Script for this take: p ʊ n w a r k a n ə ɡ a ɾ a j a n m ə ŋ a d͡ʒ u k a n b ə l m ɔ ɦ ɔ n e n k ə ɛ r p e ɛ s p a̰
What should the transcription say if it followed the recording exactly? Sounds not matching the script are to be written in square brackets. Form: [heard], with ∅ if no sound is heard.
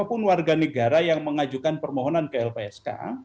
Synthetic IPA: p ʊ n w a r [ɡ] a n ə ɡ a ɾ a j a [ŋ] m ə ŋ a d͡ʒ u k a n [p] ə [r] m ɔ ɦ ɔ n [a] n k ə ɛ [l] p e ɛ s [k] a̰